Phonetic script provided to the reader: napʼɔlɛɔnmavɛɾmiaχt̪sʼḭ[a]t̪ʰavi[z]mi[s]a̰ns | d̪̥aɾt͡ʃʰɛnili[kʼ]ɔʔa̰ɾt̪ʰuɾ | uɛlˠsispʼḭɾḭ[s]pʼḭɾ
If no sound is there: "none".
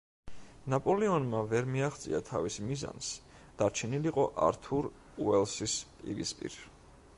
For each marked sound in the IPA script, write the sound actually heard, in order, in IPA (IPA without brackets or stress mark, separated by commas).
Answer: a, s, z, qʼ, s